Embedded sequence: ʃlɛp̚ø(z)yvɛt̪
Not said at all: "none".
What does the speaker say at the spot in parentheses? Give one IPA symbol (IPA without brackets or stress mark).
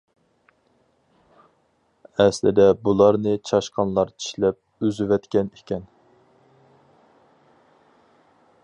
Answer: z